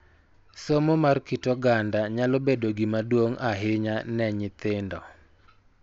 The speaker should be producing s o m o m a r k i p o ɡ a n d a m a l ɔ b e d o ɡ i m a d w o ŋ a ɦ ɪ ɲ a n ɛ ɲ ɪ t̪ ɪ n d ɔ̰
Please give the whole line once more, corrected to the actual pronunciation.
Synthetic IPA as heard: s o m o m a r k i t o ɡ a n d a ɲ a l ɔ b e d o ɡ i m a d w o ŋ a ɦ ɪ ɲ a n ɛ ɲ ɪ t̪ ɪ n d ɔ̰

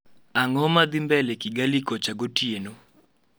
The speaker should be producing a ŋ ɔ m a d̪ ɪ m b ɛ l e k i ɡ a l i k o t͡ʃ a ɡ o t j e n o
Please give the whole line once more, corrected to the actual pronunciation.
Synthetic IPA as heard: a ŋ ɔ m a d̪ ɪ m b ɛ l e k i ɡ a l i k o t͡ʃ a ɡ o t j e n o

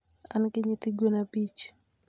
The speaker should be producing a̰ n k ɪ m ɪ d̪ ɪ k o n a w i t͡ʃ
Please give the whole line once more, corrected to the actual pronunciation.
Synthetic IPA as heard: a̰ n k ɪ ɲ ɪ t̪ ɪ ɡ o n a b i t͡ʃ

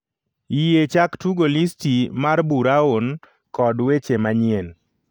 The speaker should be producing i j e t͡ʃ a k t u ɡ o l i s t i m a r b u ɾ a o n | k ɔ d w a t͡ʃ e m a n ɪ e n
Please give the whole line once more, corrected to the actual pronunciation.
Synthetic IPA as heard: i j e t͡ʃ a k t u ɡ o l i s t i m a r b u ɾ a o n | k ɔ d w e t͡ʃ e m a ɲ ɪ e n

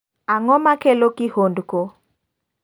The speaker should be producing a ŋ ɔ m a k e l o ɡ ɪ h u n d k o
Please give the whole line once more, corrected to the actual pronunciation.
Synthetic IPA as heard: a ŋ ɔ m a k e l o k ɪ h o n d k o

